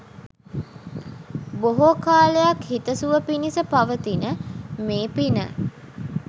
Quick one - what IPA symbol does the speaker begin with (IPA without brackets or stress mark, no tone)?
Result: b